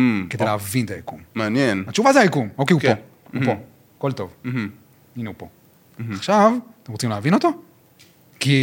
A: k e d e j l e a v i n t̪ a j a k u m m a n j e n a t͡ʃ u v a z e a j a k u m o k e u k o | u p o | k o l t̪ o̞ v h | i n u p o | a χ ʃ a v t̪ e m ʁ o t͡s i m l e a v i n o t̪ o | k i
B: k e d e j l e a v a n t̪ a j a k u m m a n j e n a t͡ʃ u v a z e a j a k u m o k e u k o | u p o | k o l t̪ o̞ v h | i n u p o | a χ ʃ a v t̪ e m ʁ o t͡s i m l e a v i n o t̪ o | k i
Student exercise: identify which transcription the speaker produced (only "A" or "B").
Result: A